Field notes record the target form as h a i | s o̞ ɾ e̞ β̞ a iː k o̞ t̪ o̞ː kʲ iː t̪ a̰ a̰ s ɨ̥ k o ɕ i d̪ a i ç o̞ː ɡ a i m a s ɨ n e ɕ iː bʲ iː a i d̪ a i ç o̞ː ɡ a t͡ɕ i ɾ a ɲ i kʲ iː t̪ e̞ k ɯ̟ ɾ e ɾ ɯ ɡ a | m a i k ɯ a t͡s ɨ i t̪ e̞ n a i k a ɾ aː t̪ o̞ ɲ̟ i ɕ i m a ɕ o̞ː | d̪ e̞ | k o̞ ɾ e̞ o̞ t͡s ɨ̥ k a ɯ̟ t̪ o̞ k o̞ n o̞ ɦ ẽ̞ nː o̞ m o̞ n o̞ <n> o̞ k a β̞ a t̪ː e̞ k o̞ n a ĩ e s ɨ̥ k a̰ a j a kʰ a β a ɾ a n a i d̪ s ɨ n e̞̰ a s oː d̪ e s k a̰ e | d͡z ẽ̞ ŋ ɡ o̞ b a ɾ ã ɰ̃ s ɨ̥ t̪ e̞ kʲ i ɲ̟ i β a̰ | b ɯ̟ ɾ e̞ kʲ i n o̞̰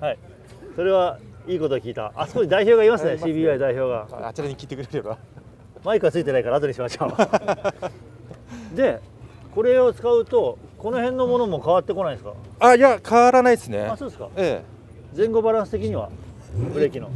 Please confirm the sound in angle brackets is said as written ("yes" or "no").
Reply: no